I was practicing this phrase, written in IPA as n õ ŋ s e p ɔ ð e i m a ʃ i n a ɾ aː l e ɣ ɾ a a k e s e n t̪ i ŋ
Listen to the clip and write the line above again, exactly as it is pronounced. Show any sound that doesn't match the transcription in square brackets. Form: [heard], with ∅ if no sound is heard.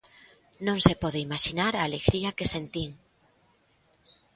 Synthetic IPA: n õ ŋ s e p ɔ ð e i m a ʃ i n a ɾ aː l e ɣ ɾ [i] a k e s e n t̪ i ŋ